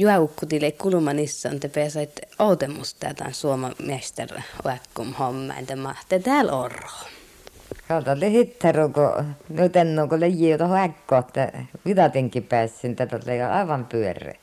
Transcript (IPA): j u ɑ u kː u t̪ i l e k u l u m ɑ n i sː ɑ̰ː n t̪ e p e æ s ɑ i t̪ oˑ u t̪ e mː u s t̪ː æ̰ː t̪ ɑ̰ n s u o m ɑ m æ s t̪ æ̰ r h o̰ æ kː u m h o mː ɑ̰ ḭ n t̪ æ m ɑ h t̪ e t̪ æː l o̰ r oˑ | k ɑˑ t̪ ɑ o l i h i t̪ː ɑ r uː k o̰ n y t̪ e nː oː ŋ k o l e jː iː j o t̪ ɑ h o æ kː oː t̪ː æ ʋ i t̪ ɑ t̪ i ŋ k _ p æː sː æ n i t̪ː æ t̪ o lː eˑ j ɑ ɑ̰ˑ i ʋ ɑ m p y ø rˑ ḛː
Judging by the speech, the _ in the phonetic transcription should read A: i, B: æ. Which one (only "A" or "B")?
A